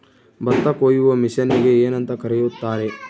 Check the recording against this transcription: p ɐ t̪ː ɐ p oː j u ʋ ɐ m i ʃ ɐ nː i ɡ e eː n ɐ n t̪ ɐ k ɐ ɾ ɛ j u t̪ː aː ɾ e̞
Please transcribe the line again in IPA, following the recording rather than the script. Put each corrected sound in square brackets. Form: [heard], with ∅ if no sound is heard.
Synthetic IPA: [b] ɐ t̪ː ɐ [k] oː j u ʋ ɐ m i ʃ ɐ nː i ɡ e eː n ɐ n t̪ ɐ k ɐ ɾ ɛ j u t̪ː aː ɾ e̞